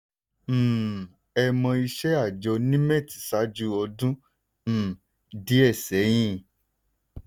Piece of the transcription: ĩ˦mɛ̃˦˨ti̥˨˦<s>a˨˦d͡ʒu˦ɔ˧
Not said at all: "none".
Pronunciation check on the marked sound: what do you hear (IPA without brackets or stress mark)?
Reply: s